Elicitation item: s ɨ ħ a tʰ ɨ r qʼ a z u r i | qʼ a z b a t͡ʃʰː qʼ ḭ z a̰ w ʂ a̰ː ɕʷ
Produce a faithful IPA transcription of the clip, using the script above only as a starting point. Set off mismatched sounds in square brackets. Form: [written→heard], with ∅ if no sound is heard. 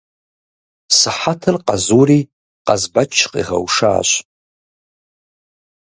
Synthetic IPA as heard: s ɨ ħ a tʰ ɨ r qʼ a z u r i | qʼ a z b a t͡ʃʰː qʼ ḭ [z→ʁ] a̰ w ʂ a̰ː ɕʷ